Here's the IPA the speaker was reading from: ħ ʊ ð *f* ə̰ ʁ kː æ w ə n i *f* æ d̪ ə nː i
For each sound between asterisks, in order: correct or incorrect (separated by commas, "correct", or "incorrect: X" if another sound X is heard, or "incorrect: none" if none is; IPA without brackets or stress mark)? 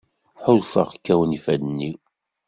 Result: correct, correct